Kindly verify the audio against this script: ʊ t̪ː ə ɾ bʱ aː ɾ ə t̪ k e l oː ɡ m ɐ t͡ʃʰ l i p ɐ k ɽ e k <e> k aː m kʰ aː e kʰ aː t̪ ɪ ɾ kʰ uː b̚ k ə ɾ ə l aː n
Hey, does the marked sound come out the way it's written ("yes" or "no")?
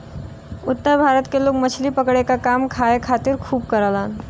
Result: no